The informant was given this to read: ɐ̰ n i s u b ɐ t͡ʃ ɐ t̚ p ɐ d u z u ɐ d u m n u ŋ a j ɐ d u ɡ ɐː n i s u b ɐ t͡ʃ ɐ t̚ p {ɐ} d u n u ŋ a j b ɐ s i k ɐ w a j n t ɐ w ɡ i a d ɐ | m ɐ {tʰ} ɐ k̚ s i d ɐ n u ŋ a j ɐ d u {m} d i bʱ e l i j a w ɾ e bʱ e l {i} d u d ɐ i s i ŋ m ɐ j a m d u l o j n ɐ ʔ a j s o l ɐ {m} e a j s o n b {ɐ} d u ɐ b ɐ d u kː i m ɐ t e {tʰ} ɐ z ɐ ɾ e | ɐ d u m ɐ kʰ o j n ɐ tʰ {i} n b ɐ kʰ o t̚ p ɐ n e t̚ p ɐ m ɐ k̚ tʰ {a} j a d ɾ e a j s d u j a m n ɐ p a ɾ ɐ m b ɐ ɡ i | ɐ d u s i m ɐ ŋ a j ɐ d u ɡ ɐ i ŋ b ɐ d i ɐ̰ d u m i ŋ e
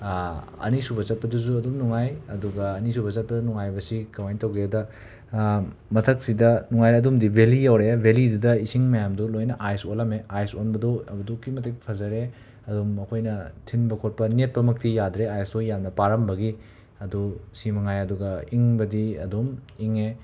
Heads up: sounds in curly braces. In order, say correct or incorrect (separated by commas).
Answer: correct, correct, correct, correct, correct, correct, incorrect, correct, incorrect